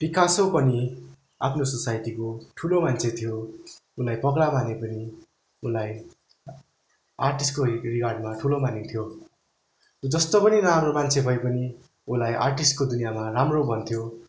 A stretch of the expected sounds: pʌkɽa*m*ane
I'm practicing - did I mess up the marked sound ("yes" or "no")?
no